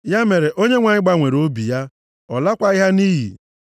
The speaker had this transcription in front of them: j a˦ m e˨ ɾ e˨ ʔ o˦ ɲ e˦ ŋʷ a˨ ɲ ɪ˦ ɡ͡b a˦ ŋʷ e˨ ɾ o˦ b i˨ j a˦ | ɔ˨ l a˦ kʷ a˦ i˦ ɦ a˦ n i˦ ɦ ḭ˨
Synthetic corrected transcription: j a˦ m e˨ ɾ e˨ ʔ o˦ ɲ e˦ ŋʷ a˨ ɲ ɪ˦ ɡ͡b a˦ ŋʷ e˨ ɾ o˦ b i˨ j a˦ | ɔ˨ l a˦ kʷ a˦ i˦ ɦ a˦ n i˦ ɦ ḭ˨